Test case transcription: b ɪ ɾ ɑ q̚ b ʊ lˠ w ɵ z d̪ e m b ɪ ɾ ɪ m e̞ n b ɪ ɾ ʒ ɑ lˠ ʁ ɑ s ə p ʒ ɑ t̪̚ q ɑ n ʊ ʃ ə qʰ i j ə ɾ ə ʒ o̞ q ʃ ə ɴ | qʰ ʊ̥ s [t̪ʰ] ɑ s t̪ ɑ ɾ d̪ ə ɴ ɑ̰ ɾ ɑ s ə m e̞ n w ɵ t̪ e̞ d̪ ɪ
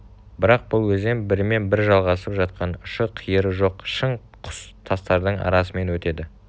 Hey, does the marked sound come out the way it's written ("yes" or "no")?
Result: yes